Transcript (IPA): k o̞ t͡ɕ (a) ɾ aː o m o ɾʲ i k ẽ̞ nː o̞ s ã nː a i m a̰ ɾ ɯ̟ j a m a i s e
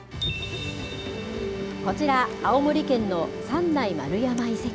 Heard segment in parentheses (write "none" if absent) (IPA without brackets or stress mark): i